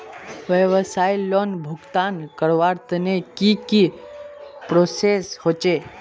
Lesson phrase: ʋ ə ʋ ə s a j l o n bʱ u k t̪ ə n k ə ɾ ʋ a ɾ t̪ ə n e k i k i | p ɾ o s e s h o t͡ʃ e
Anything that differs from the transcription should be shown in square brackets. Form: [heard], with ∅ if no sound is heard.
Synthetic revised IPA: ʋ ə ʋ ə s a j l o n bʱ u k t̪ [a] n k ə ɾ ʋ a ɾ t̪ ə n e k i k i | p ɾ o s e s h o t͡ʃ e